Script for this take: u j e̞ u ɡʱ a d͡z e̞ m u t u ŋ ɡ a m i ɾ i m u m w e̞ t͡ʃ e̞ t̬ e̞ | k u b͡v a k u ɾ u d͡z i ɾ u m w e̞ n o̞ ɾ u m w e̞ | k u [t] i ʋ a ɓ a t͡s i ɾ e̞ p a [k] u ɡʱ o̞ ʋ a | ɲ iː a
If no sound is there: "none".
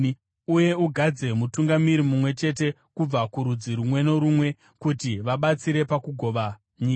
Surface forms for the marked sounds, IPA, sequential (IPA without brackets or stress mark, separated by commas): t, k